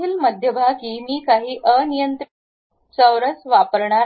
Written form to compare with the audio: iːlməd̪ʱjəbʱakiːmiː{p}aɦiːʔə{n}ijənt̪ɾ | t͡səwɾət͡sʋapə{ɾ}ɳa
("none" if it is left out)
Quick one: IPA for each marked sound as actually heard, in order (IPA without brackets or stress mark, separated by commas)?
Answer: k, n, ɾ